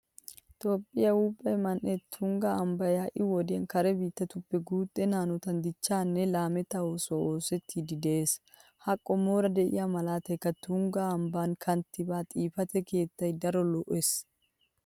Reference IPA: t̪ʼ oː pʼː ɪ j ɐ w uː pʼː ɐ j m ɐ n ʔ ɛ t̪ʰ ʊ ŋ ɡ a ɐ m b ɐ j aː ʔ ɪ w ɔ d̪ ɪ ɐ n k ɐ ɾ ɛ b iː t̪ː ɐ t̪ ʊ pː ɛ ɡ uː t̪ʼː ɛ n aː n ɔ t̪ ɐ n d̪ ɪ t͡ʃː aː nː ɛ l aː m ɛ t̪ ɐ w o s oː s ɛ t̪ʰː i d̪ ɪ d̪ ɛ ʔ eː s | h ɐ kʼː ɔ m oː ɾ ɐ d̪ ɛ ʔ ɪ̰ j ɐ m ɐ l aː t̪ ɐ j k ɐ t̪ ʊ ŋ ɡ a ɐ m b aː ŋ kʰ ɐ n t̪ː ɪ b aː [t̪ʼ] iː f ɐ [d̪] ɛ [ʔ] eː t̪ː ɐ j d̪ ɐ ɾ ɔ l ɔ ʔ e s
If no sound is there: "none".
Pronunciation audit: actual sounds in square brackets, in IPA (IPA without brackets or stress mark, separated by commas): t̪ʼ, t̪, k